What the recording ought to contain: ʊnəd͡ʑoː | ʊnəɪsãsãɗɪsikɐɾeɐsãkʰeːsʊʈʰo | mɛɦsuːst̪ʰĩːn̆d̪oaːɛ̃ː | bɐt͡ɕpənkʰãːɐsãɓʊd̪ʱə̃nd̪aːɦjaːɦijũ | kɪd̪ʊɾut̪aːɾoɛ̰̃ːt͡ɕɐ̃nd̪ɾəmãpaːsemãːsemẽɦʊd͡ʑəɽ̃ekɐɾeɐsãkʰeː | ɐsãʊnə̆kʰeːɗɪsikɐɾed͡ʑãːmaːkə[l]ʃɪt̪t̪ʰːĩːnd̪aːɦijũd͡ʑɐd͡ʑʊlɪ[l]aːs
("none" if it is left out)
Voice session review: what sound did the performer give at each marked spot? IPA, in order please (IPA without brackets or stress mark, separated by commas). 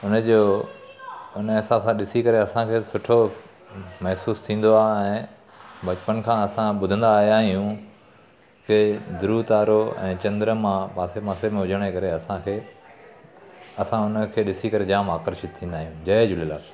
ɾ, l